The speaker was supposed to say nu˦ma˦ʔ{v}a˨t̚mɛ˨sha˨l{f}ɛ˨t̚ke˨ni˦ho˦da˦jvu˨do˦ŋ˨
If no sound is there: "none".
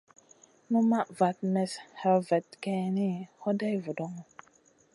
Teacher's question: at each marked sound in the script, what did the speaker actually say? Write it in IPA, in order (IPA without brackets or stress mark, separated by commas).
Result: v, v